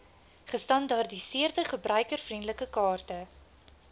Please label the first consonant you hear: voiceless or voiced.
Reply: voiceless